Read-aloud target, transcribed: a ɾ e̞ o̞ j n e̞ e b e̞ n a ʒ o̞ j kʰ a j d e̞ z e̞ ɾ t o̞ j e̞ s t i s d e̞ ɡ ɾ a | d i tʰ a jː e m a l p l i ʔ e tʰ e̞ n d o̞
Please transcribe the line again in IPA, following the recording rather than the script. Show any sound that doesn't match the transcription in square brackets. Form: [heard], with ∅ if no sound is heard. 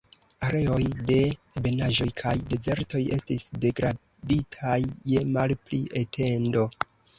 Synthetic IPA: a ɾ e̞ o̞ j [d] e̞ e b e̞ n a ʒ o̞ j kʰ a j d e̞ z e̞ ɾ t o̞ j e̞ s t i s d e̞ ɡ ɾ a | d i tʰ a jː e m a l p l i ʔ e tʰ e̞ n d o̞